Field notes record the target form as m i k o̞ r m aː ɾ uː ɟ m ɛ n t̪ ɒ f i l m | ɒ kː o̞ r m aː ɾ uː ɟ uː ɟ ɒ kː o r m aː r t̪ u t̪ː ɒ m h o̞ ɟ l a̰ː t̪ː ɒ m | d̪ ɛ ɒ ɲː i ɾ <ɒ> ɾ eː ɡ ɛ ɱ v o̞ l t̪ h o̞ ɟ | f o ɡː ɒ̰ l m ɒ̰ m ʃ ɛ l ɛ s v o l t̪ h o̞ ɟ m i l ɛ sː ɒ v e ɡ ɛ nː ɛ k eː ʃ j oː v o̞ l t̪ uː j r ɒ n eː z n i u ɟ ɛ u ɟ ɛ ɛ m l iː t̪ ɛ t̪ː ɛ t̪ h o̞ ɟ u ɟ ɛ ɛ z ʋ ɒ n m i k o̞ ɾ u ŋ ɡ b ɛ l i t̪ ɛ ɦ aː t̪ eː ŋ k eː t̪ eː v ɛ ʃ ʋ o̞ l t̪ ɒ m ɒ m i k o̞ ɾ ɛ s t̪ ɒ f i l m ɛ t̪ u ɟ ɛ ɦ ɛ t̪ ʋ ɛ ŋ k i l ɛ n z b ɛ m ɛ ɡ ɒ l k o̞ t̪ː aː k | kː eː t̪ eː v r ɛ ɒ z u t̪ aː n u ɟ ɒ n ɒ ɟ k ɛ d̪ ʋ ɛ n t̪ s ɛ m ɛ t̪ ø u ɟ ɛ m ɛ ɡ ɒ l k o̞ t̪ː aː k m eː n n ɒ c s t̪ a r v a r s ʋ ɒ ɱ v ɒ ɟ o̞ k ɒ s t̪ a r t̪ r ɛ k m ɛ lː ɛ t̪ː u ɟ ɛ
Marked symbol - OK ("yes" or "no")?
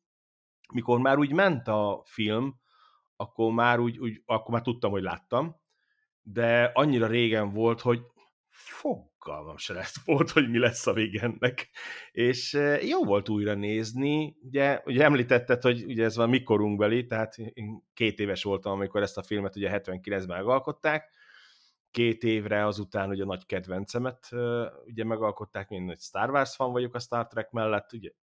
yes